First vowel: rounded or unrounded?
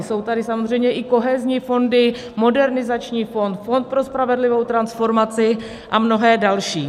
rounded